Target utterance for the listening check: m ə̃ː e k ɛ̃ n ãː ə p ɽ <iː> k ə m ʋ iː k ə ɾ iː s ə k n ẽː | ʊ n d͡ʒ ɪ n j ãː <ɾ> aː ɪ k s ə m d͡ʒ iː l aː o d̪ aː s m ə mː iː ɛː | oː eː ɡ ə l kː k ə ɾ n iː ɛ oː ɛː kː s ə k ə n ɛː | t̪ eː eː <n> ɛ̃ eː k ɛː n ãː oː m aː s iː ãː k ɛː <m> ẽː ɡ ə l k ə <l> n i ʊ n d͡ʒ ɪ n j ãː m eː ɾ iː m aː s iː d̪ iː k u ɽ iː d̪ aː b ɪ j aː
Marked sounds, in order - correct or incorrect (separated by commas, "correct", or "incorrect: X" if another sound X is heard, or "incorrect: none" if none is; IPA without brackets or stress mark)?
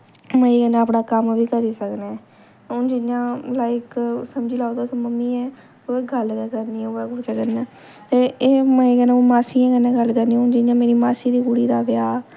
incorrect: aː, incorrect: l, incorrect: m, incorrect: n, incorrect: ɾ